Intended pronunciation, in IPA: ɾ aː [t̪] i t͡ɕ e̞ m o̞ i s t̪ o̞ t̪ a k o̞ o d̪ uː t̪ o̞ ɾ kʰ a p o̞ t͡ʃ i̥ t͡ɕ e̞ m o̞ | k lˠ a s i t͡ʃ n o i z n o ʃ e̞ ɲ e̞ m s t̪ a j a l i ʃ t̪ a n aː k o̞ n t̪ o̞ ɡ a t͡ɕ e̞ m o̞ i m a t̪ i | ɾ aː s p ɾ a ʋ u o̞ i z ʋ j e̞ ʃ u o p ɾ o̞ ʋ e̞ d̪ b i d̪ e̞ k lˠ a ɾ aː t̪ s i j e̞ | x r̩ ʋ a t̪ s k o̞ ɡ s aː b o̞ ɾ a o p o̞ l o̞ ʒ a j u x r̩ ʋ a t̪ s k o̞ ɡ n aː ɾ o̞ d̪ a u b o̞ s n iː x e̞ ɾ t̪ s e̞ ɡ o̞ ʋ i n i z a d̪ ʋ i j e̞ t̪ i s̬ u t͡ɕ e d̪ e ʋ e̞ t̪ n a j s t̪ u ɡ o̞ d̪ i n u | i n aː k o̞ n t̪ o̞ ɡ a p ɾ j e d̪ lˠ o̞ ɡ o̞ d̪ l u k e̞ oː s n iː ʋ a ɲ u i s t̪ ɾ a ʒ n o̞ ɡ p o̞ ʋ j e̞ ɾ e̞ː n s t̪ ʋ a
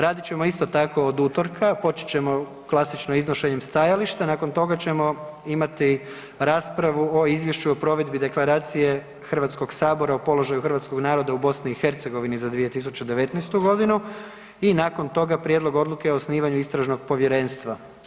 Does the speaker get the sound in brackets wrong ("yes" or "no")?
yes